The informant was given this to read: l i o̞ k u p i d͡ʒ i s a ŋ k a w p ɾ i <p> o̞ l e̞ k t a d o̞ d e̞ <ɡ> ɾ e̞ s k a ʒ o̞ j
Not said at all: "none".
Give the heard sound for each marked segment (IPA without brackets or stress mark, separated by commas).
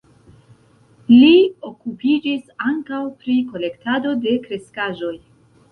k, k